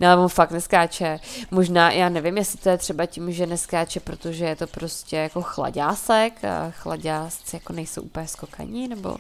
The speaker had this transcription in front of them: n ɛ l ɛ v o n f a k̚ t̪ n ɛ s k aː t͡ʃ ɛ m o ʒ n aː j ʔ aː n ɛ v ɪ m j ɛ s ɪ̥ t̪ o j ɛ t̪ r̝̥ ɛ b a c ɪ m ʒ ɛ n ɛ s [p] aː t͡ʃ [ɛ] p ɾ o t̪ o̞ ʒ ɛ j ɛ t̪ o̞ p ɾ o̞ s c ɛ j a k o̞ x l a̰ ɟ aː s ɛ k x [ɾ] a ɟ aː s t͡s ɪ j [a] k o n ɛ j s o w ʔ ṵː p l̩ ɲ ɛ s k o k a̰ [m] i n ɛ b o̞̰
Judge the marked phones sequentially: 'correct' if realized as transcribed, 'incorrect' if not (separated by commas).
incorrect, correct, incorrect, correct, incorrect